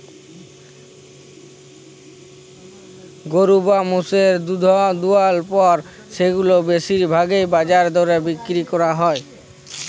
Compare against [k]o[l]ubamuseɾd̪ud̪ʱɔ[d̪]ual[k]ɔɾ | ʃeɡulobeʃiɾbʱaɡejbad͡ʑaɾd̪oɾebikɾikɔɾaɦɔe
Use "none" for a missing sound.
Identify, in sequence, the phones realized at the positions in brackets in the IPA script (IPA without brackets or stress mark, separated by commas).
ɡ, ɾ, d̪, p